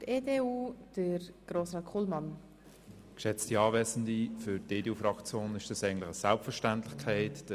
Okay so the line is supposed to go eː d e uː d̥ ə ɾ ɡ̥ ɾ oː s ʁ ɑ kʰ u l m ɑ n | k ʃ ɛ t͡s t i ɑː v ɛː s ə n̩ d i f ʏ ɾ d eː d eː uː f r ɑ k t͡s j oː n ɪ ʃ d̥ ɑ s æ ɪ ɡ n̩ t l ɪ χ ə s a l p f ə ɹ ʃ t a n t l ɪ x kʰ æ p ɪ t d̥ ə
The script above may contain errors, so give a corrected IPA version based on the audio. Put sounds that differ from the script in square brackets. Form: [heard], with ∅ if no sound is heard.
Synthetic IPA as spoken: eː d e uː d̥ ə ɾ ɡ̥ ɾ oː s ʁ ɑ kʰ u l m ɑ n | k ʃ ɛ t͡s t i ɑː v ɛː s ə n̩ d i f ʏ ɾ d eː d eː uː f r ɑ k t͡s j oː n ɪ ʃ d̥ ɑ s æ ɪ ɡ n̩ t l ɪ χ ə s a l p f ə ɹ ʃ t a n t l ɪ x kʰ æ [∅] ɪ t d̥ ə